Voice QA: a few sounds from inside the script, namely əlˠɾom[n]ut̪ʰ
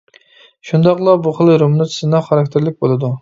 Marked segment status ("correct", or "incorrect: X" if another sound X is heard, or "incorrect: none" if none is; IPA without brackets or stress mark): correct